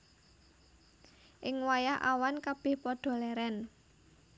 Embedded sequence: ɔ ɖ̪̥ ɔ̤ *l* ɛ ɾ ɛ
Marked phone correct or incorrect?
correct